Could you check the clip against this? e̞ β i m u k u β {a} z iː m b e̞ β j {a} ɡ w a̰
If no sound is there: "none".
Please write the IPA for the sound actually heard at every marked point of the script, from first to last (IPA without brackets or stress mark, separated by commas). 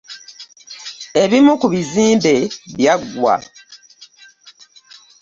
i, a